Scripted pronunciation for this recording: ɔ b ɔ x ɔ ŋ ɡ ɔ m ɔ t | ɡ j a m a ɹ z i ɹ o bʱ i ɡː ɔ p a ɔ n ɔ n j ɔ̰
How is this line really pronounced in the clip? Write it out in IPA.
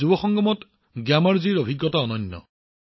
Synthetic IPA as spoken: u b ɔ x ɔ ŋ ɡ ɔ m ɔ t | ɡ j a m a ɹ z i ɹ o bʱ i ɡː ɔ t a ɔ n ɔ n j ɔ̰